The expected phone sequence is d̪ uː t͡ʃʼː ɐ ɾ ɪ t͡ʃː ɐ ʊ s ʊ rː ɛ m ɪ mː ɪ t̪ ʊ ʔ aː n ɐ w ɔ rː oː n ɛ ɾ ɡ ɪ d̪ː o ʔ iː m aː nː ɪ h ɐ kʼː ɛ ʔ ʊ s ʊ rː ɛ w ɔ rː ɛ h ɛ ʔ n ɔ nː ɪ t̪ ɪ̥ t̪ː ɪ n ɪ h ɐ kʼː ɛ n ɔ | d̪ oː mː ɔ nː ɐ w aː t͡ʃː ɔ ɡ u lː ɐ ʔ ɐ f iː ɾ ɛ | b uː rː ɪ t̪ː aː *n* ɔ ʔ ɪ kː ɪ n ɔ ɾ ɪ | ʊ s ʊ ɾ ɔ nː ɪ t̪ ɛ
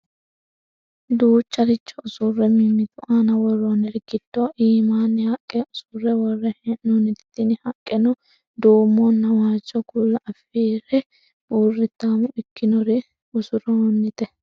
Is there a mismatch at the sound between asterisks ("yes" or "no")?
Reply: yes